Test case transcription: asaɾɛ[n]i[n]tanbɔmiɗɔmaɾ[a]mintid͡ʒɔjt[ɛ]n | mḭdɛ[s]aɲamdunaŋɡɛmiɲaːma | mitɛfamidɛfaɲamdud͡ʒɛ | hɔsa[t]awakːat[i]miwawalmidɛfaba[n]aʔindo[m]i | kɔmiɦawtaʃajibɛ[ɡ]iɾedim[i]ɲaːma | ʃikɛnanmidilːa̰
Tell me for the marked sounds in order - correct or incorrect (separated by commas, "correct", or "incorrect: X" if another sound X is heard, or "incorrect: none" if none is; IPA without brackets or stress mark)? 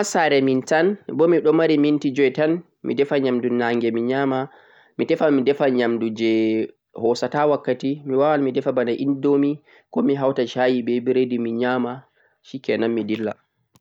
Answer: incorrect: m, correct, incorrect: i, incorrect: a, incorrect: f, correct, correct, correct, correct, incorrect: b, correct